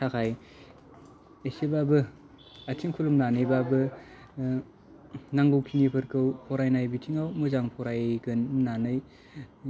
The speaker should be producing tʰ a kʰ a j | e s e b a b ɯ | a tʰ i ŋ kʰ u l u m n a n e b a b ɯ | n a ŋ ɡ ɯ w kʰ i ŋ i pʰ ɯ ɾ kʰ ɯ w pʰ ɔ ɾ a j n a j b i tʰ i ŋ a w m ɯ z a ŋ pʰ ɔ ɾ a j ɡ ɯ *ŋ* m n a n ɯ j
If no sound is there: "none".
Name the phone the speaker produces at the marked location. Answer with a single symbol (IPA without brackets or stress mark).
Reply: n